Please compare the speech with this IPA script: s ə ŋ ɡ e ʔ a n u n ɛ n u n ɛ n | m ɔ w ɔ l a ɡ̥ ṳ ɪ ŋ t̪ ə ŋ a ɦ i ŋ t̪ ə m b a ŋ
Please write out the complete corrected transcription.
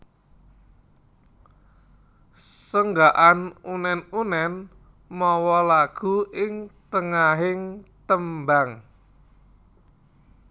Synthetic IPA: s ə ŋ ɡ a ʔ a n u n ɛ n u n ɛ n | m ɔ w ɔ l a ɡ̥ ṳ ɪ ŋ t̪ ə ŋ a ɦ ɪ ŋ t̪ ə m b a ŋ